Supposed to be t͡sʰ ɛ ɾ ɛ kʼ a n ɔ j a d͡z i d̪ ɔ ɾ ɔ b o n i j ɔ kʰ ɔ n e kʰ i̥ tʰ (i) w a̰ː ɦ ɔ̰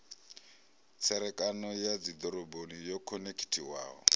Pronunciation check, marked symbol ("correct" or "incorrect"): correct